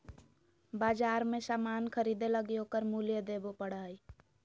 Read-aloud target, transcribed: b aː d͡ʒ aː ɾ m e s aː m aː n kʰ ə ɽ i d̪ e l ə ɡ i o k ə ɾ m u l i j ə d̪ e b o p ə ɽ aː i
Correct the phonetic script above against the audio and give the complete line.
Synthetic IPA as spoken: b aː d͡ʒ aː ɾ m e s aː m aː n kʰ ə ɾ i d̪ e l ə ɡ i o k ə ɾ m u l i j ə d̪ e b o p ə ɽ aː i